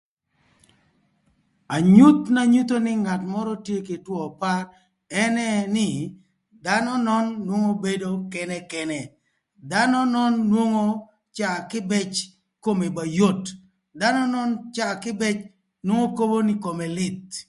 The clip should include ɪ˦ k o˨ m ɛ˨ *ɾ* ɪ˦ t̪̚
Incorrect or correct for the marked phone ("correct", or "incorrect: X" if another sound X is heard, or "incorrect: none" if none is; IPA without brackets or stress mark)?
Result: incorrect: l